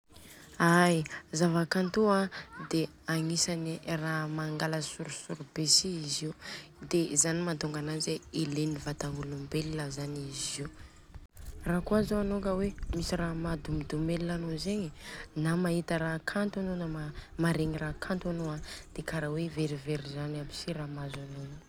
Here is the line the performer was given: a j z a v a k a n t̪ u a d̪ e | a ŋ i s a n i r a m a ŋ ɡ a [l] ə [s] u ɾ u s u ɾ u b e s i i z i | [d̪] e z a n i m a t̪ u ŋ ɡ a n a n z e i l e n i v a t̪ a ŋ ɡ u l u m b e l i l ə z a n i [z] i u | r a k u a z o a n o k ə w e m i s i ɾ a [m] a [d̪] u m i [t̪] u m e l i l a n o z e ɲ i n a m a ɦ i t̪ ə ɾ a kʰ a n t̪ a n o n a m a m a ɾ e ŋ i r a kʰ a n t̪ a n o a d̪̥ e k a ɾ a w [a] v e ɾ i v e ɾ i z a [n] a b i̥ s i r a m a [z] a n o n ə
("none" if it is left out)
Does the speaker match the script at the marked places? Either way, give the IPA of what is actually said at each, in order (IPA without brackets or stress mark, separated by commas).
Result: l, s, d̪, z, m, d̪, d̪, e, n, z